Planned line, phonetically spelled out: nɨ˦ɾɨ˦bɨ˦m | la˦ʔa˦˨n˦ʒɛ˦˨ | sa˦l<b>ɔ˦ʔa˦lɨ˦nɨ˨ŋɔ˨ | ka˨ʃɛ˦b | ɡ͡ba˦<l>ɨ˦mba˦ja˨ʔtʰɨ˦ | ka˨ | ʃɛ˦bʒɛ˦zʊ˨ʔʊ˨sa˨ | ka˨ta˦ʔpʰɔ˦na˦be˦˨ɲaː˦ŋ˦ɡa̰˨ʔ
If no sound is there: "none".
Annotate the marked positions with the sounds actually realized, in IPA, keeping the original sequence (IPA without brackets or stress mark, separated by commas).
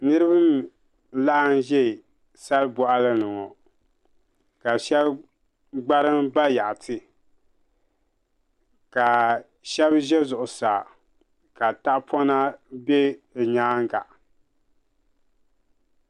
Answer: b, ɾ